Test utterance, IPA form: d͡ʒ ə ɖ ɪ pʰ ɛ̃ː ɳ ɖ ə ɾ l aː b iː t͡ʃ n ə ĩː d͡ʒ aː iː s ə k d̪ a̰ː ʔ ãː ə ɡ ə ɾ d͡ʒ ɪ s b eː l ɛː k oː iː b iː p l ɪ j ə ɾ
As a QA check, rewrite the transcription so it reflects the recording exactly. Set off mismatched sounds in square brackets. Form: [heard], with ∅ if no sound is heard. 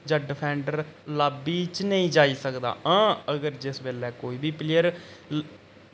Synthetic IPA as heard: d͡ʒ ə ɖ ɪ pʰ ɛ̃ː ɳ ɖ ə ɾ l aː b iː t͡ʃ n ə ĩː d͡ʒ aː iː s ə k d̪ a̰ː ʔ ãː ə ɡ ə ɾ d͡ʒ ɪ s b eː l ɛː k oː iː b iː p l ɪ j ə ɾ